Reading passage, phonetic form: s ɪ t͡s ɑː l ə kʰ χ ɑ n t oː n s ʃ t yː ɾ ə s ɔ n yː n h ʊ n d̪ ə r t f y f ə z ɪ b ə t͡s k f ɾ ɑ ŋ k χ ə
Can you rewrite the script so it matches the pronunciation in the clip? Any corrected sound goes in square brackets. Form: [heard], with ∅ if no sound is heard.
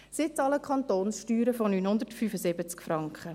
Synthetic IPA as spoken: s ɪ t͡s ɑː l ə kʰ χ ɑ n t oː n s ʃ t yː ɾ ə [f] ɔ n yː n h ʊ n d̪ ə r t f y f ə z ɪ b ə t͡s k f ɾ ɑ ŋ k χ ə